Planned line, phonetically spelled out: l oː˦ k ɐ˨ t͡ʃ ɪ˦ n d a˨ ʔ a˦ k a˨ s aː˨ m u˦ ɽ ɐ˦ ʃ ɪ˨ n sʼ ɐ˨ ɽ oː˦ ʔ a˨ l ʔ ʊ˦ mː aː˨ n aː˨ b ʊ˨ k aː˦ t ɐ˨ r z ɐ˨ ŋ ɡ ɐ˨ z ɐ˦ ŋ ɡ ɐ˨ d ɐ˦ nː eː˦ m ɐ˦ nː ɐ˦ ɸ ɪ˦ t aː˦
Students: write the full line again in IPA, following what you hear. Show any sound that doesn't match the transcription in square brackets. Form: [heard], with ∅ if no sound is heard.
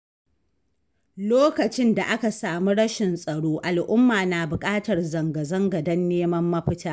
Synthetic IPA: l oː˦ k ɐ˨ t͡ʃ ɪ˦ n d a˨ ʔ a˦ k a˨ s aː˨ m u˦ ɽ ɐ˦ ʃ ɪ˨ n sʼ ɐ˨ ɽ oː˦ ʔ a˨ l ʔ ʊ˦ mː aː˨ n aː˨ b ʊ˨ [kʼ] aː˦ t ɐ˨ r z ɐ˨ ŋ ɡ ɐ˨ z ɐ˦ ŋ ɡ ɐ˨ d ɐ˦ nː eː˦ m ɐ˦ [mː] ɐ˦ ɸ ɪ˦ t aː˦